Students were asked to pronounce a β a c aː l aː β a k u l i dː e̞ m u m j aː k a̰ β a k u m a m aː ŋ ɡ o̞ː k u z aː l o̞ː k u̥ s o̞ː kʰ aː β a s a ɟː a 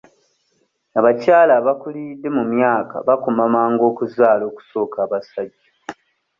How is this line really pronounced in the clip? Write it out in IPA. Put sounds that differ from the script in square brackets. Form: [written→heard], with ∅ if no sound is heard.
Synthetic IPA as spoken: a β a c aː l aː β a k u l i dː e̞ m u m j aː k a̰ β a k u m a m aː ŋ ɡ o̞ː k u z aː l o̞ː k u̥ s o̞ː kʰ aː β a s a ɟː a